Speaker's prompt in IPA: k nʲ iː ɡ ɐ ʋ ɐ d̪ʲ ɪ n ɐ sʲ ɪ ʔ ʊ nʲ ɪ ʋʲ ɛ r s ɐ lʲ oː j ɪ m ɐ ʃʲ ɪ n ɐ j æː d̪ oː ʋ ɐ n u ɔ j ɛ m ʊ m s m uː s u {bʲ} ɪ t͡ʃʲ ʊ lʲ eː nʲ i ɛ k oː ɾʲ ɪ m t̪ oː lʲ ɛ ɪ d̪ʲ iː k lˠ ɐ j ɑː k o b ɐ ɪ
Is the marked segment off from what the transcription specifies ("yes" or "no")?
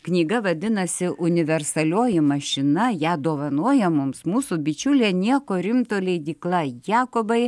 no